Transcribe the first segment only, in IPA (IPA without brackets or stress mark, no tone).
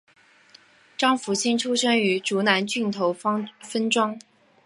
ʈ͡ʂ